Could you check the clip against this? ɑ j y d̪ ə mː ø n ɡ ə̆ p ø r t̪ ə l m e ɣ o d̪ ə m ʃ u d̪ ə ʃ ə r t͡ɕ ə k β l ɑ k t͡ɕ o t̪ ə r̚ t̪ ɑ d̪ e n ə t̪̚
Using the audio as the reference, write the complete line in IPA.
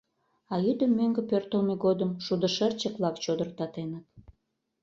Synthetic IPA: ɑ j y d̪ ə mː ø ŋ ɡ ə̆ p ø r t̪ ə l m e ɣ o d̪ ə m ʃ u d̪ ə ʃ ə r t͡ɕ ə k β l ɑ k t͡ɕ o d̪ ə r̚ t̪ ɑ t̪ e n ə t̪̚